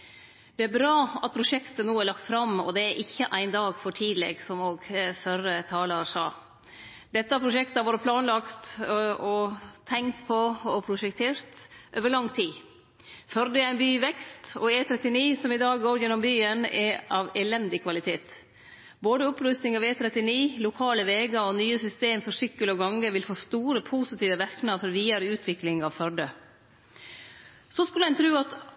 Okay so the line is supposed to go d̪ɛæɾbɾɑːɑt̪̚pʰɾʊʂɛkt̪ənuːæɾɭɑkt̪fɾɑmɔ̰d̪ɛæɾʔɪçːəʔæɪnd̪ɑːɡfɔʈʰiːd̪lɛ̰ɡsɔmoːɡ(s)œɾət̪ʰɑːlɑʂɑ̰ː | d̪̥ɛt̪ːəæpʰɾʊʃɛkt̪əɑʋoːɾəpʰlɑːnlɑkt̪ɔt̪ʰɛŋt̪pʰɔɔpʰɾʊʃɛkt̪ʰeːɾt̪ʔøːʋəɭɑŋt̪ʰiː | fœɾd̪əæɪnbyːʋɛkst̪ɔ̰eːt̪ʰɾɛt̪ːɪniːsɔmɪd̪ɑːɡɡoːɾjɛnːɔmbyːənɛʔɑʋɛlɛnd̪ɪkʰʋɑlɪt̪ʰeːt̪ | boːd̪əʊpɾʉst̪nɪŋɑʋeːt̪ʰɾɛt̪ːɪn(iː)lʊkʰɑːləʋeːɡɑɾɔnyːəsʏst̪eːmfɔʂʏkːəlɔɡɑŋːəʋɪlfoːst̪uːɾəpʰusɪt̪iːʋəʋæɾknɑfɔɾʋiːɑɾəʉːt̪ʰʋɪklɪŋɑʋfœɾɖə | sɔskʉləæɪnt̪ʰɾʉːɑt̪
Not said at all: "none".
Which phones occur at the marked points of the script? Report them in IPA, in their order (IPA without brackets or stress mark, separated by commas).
f, iː